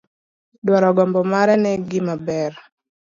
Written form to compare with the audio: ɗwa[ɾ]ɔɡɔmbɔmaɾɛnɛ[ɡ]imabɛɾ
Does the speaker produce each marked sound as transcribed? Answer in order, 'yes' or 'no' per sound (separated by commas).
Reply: yes, yes